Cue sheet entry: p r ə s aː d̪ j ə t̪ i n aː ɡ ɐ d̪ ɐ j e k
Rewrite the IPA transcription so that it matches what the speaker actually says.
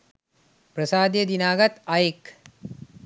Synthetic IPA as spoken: p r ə s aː d̪ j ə d̪ i n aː ɡ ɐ t̪ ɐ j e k